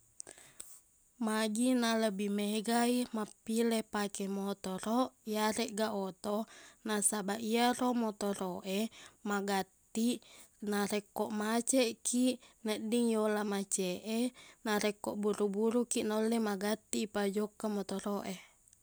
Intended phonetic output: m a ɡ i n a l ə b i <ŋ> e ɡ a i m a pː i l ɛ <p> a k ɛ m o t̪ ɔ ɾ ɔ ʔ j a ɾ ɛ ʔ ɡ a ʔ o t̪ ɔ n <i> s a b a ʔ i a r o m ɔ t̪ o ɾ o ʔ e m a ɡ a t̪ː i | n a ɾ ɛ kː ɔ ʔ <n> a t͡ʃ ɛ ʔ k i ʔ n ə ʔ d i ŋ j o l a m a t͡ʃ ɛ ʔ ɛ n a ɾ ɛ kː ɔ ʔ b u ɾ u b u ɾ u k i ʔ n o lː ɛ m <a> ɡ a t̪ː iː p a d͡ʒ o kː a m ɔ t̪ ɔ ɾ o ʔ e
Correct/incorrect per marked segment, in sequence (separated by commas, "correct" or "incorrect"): incorrect, correct, incorrect, incorrect, correct